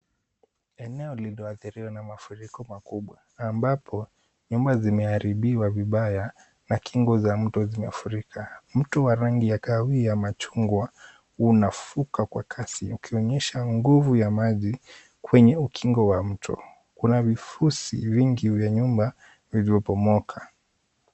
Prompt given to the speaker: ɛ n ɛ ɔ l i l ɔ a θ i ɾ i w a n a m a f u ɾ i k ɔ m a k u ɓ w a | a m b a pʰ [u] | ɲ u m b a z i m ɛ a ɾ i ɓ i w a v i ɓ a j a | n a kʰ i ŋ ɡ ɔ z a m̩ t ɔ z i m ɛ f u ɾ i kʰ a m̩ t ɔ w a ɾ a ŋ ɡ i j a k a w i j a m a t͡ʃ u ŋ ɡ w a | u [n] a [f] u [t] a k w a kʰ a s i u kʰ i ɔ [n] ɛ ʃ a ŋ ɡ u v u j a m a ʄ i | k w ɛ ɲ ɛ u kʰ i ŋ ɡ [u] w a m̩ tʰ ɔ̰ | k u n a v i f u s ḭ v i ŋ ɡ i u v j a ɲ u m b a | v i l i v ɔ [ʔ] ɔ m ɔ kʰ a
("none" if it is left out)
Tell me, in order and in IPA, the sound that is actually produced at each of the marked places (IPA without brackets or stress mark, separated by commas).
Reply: ɔ, n, f, k, ɲ, ɔ, p